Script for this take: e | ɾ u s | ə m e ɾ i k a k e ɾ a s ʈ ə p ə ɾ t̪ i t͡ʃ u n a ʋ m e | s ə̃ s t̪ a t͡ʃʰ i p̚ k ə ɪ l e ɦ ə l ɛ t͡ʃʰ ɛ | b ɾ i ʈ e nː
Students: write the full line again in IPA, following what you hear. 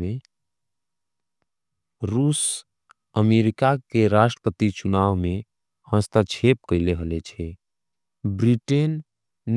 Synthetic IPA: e | ɾ u s | ə m e ɾ i k a k e ɾ a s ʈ ə p ə t̪ i t͡ʃ u n a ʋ m e | h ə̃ s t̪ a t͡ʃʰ e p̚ k ə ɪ l e ɦ ə l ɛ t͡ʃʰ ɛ | b ɾ i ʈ e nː